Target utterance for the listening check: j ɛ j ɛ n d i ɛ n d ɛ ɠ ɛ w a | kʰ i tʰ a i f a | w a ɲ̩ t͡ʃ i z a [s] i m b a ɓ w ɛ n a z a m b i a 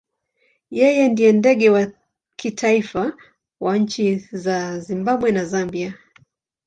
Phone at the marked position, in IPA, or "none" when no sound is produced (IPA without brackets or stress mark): z